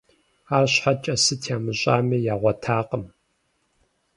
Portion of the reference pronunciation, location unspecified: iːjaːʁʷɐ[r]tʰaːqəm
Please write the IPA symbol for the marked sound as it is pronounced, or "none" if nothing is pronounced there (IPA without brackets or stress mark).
none